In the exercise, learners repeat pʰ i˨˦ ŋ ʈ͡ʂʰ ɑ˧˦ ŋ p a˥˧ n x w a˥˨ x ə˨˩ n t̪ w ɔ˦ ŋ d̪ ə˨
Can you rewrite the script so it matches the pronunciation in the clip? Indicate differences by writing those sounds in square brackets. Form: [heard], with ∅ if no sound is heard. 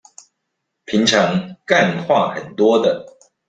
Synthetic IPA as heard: pʰ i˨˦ ŋ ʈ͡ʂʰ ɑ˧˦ ŋ [k] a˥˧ n x w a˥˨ x ə˨˩ n t̪ w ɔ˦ [∅] d̪ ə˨